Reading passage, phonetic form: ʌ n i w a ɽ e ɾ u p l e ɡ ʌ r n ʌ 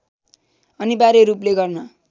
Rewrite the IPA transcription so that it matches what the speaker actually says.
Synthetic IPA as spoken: ʌ n i b a ɾ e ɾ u p l e ɡ ʌ r n ʌ